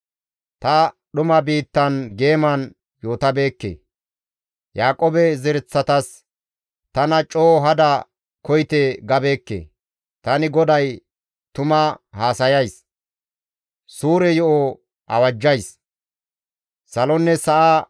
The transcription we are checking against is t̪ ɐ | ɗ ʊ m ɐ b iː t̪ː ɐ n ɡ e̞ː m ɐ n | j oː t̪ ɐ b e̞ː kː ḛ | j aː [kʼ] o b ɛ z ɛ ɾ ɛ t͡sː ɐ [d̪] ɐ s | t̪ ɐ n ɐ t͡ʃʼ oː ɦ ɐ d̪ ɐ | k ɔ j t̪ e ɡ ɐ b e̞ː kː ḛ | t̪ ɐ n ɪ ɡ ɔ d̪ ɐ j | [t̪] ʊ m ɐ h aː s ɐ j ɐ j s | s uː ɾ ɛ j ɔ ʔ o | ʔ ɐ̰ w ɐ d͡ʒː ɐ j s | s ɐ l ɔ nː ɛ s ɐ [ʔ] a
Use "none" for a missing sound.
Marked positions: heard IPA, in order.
kʼ, t̪, t̪, ʔ

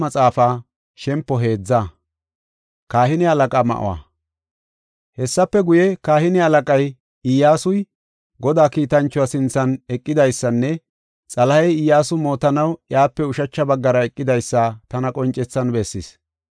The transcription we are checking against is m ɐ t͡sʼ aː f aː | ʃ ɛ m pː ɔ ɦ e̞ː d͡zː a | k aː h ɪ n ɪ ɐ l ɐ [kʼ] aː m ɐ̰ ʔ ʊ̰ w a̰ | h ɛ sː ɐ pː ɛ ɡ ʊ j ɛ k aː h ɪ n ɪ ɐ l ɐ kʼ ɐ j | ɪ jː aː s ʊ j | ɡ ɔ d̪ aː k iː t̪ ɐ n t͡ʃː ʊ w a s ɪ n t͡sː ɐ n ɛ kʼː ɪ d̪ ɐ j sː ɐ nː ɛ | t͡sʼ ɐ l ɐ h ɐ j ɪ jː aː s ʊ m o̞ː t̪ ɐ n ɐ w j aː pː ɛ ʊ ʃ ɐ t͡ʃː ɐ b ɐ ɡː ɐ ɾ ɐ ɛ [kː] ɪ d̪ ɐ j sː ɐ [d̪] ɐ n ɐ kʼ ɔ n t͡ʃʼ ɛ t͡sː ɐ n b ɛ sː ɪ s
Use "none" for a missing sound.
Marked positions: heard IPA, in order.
kʼ, kʼː, t̪

